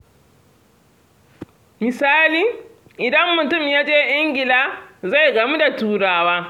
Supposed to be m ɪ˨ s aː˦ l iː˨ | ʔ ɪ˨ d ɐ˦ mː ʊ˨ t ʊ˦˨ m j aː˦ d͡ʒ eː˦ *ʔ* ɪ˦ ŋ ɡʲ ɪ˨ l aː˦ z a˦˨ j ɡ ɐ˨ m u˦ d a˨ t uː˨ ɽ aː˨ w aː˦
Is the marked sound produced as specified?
yes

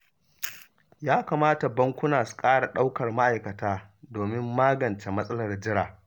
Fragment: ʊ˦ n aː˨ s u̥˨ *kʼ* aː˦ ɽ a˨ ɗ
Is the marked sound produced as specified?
yes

